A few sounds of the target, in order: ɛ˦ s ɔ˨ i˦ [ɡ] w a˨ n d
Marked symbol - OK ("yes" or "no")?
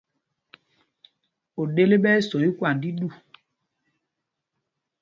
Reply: no